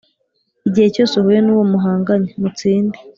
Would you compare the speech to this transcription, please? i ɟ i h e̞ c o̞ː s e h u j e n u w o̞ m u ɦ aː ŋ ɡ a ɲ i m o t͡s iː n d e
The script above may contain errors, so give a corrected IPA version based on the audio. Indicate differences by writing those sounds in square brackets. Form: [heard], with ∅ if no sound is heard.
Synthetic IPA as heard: i ɟ i h e̞ c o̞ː s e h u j e n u w o̞ m u ɦ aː ŋ ɡ a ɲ [e] m [u] t͡s iː n d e